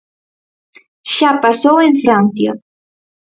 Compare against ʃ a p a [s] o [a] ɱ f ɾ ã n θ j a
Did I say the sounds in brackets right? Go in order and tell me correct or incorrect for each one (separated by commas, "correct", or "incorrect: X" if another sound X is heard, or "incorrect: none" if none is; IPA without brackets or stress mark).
correct, incorrect: e